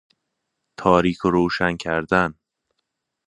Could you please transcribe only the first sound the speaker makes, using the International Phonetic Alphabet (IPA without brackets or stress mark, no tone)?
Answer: t̪ʰ